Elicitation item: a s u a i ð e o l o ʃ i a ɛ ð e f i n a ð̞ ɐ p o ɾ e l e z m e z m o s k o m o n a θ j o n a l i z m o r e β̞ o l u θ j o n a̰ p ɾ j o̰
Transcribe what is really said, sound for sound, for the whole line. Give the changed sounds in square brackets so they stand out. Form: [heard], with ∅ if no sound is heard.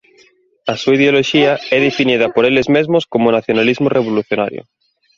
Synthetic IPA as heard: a s u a i ð e o l o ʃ i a ɛ ð e f i n [i] ð̞ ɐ p o ɾ e l e z m e z m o s k o m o n a θ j o n a l i z m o r e β̞ o l u θ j o n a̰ [∅] ɾ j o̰